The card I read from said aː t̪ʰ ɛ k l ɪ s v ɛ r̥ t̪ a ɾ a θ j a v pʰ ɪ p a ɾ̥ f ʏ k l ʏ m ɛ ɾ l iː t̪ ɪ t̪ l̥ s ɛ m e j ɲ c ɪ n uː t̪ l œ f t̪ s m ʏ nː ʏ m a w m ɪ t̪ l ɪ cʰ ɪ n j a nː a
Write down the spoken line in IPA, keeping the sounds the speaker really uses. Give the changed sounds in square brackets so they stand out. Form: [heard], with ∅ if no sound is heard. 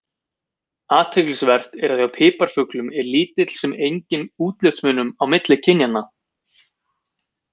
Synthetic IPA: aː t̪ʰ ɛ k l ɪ s v ɛ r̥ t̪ [ɛ] ɾ a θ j a [w] pʰ [ɪː] p a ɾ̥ f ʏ k l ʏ m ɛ ɾ l iː t̪ ɪ t̪ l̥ s ɛ m e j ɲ c ɪ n uː t̪ l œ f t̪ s m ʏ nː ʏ m a w m ɪ t̪ l ɪ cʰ ɪ n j a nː a